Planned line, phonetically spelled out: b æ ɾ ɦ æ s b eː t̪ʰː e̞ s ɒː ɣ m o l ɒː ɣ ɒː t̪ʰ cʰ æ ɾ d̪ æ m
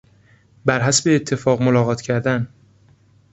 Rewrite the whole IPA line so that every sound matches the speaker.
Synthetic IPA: b æ ɾ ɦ æ s b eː t̪ʰː e̞ f ɒː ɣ m o l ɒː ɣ ɒː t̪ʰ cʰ æ ɾ d̪ æ n